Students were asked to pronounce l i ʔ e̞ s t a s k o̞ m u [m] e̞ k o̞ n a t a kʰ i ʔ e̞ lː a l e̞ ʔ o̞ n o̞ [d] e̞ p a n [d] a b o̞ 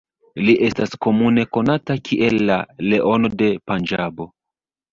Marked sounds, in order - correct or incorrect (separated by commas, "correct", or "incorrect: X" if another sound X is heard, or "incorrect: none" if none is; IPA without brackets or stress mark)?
incorrect: n, correct, incorrect: d͡ʒ